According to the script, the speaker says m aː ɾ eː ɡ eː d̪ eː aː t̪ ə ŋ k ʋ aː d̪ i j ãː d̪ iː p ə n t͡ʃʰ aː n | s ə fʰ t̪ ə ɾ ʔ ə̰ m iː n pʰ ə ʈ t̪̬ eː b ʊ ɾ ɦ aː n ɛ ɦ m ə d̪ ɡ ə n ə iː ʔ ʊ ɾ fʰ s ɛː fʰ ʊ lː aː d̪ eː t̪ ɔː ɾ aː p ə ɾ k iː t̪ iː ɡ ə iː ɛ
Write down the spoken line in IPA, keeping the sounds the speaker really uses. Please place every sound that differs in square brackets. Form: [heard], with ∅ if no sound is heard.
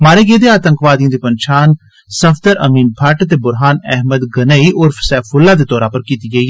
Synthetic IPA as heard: m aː ɾ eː ɡ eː d̪ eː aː t̪ ə ŋ k ʋ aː d̪ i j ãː d̪ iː p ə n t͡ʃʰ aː n | s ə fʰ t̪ ə ɾ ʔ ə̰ m iː n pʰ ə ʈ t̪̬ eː b ʊ ɾ ɦ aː n ɛ ɦ m ə d̪ ɡ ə n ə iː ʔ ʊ ɾ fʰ s ɛː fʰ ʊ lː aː d̪ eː t̪ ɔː ɾ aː p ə ɾ k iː t̪ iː ɡ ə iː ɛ